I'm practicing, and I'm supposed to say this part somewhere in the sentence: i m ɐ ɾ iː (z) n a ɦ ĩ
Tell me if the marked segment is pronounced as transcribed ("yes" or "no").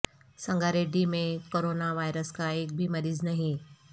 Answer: yes